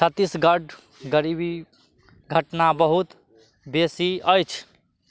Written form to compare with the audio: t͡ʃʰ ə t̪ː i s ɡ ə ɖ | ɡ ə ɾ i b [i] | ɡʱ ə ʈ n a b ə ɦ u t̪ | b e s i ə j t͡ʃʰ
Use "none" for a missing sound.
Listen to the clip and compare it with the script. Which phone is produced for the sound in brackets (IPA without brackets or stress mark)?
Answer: i